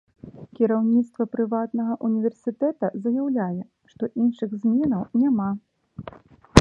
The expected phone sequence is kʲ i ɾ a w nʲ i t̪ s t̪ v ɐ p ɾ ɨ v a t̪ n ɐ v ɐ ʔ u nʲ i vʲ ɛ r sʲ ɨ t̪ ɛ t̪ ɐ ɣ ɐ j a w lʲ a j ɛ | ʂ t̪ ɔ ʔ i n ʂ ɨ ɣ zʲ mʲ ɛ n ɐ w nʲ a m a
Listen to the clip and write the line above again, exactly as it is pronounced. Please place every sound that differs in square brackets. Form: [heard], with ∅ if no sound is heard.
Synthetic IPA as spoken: kʲ i ɾ a w nʲ i t̪ s t̪ v ɐ p ɾ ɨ v a t̪ n ɐ [ɣ] ɐ ʔ u nʲ i vʲ ɛ r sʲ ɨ t̪ ɛ t̪ ɐ [z] ɐ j a w lʲ a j ɛ | ʂ t̪ ɔ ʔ i n ʂ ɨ ɣ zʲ mʲ ɛ n ɐ w nʲ a m a